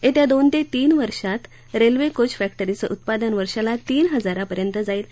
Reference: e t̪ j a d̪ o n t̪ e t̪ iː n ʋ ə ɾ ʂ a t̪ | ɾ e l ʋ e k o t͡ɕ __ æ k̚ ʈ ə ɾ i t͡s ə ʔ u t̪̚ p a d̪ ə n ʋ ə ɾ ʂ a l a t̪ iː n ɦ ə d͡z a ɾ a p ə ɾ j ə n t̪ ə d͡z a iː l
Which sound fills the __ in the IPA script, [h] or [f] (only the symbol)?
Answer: f